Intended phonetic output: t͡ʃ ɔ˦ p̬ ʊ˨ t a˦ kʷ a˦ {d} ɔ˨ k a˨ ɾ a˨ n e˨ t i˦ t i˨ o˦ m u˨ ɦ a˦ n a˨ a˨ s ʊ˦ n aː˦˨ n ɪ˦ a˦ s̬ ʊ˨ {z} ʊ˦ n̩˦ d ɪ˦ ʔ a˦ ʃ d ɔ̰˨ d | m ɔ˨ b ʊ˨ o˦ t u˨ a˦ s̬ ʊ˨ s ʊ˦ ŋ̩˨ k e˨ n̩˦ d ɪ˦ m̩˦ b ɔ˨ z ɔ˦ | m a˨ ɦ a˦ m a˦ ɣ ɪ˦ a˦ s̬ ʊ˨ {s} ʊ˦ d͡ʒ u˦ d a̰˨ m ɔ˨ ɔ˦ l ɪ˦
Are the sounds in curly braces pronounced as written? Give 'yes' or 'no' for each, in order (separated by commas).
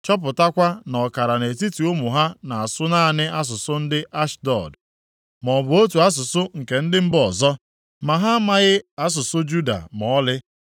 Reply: no, no, yes